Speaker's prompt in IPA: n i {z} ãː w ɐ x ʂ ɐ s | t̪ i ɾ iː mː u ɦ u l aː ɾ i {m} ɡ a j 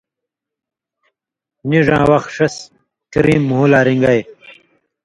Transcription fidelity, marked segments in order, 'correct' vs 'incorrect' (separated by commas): incorrect, incorrect